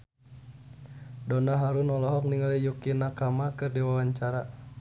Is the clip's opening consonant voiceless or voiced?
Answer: voiced